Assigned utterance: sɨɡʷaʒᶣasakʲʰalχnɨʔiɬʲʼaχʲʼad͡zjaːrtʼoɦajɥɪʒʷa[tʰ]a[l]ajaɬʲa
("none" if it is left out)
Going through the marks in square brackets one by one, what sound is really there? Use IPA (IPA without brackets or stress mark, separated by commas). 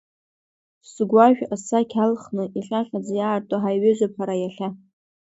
pʰ, ɾ